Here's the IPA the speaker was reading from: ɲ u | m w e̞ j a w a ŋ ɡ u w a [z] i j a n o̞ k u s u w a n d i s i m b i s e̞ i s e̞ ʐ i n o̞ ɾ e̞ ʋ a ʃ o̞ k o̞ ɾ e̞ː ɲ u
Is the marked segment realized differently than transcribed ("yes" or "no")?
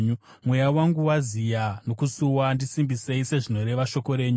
no